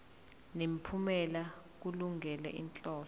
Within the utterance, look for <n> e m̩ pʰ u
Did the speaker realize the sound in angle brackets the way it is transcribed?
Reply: yes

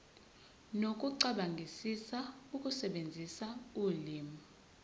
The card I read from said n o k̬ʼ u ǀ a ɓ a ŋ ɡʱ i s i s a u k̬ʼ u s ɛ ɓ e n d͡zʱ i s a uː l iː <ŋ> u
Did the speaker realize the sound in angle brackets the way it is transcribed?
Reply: no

